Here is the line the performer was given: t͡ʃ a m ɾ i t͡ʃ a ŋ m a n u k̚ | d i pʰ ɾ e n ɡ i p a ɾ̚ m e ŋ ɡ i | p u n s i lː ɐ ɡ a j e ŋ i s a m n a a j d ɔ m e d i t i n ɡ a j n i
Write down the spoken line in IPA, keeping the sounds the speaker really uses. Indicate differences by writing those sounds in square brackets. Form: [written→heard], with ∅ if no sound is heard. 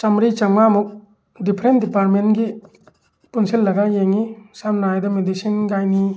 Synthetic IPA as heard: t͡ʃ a m ɾ i t͡ʃ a ŋ m a [n→m] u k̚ | d i pʰ ɾ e n [ɡ→d] i p a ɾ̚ m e [ŋ→n] ɡ i | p u n s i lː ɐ ɡ a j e ŋ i s a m n a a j d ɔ m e d i [t→s] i n ɡ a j n i